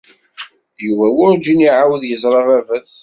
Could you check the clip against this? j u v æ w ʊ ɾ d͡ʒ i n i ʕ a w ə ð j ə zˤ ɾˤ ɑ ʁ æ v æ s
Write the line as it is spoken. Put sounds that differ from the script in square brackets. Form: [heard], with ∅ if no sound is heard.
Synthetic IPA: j u v æ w ʊ ɾ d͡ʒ i n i ʕ a w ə ð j ə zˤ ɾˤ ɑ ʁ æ v æ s

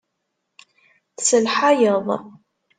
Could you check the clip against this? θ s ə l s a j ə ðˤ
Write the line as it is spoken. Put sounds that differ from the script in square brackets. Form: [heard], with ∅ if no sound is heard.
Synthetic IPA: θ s ə l [ħ] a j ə ðˤ

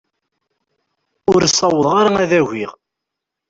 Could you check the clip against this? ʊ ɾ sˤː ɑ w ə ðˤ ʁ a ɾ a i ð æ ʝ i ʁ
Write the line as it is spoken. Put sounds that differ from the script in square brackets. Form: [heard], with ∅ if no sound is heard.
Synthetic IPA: ʊ ɾ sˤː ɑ w ə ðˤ ʁ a ɾ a [æ] ð æ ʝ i ʁ

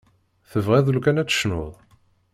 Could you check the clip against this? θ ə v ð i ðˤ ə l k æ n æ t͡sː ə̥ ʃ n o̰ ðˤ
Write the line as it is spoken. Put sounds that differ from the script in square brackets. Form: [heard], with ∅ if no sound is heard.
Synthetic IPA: θ ə v [ʁ] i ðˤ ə l k æ n æ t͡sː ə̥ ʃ n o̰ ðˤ

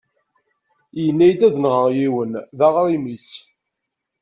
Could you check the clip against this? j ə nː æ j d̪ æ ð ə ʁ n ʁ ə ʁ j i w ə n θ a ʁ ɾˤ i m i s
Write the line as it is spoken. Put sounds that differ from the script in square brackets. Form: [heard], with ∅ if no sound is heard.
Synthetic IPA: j ə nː æ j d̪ æ ð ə [∅] n ʁ ə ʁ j i w ə n [ð] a ʁ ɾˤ i m i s

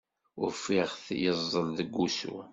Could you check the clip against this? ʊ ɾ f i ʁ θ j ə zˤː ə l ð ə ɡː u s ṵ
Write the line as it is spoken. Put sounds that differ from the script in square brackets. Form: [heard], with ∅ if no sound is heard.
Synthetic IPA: ʊ ɾ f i ʁ θ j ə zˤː ə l ð ə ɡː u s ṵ

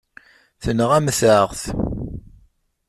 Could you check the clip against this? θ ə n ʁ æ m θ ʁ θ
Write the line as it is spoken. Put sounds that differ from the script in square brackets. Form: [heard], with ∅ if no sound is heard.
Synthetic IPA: θ ə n ʁ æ m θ ʁ θ

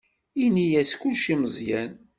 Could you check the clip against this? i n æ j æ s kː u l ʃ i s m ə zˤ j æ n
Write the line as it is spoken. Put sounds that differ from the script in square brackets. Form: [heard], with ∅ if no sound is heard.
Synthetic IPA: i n [i] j æ s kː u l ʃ i [∅] m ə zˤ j æ n

